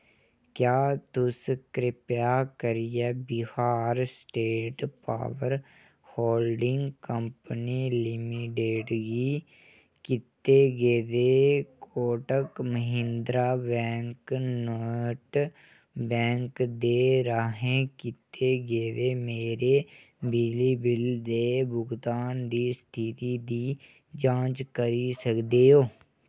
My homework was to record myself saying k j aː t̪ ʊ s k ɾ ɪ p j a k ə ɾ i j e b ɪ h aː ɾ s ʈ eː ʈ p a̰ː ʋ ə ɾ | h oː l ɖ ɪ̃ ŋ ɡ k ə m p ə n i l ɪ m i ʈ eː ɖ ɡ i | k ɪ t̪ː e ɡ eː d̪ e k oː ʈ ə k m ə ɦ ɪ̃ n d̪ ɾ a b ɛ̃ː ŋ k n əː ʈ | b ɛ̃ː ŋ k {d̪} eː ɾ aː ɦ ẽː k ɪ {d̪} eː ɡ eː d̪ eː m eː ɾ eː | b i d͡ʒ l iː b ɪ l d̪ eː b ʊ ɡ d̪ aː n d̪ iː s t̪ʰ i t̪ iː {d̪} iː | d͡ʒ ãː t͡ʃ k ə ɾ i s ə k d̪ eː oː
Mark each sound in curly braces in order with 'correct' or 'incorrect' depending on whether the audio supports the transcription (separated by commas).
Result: correct, incorrect, correct